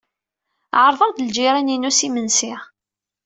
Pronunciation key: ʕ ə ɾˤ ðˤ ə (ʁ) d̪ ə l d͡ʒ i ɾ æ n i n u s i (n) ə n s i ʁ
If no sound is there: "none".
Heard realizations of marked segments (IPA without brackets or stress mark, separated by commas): ʁ, m